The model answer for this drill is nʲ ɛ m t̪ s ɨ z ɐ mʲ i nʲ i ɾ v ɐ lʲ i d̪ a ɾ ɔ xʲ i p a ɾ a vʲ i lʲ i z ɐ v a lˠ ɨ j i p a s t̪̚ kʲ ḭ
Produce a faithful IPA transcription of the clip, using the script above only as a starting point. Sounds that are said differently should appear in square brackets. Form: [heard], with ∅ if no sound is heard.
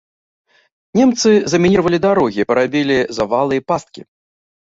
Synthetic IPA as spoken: nʲ ɛ m t̪ s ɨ z ɐ mʲ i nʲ i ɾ v ɐ lʲ i d̪ a ɾ ɔ [ɣʲ] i p [ɐ] ɾ a [bʲ] i lʲ i z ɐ v a lˠ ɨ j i p a s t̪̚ kʲ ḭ